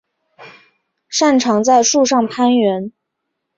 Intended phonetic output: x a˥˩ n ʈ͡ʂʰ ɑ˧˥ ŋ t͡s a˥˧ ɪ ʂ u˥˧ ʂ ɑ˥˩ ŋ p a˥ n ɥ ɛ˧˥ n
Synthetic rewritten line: ʂ a˥˩ n ʈ͡ʂʰ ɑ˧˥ ŋ t͡s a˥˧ ɪ ʂ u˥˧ ʂ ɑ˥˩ ŋ pʰ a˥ n ɥ ɛ˧˥ n